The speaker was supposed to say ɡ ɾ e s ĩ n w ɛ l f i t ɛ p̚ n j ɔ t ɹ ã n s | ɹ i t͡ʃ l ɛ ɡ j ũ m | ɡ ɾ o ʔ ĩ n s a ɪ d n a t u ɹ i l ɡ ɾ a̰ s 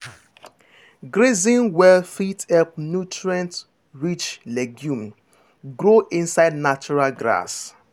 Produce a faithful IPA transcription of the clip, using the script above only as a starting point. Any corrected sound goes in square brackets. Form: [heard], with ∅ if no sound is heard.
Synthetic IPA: ɡ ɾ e [z] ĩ n w ɛ l f i t ɛ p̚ n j [u] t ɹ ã n [t] | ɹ i t͡ʃ l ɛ ɡ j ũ m | ɡ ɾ o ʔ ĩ n s a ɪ d n a [t͡ʃ] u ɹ [a] l ɡ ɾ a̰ s